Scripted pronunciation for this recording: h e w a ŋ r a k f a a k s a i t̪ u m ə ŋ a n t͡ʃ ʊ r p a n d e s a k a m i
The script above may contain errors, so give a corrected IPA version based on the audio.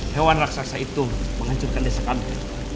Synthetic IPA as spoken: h e w a n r a k s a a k s a i t̪ u m ə ŋ a ɲ t͡ʃ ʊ r k a n d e s a k a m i